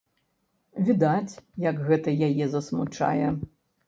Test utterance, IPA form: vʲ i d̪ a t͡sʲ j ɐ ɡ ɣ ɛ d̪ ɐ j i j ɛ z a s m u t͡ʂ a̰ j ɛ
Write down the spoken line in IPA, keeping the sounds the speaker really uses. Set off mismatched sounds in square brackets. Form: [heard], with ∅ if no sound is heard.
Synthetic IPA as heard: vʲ i d̪ a t͡sʲ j ɐ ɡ ɣ ɛ [t̪] ɐ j [a] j ɛ z [ɐ] s m u t͡ʂ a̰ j ɛ